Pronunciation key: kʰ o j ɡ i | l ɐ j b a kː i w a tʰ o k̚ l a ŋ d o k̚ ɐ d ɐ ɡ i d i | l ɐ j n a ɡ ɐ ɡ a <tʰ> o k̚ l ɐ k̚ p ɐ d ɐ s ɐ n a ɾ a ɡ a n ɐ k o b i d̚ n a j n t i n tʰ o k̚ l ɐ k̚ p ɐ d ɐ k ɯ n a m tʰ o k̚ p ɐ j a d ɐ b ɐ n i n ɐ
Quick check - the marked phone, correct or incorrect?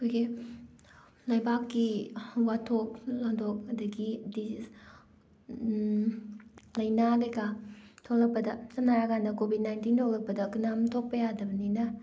correct